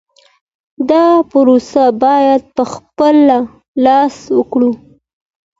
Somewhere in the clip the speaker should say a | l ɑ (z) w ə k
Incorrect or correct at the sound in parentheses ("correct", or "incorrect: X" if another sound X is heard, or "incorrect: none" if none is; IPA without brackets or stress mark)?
incorrect: s